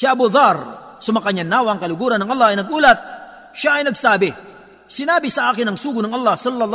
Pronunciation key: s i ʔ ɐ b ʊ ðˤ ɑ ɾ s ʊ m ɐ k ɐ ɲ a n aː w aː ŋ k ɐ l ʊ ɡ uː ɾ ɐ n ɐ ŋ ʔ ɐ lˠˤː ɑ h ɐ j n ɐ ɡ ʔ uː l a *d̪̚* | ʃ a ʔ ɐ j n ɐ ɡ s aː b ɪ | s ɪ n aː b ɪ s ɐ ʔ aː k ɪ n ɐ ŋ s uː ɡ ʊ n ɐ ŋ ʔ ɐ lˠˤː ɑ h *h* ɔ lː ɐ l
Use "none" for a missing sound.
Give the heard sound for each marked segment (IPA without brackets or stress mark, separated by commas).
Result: t̪̚, s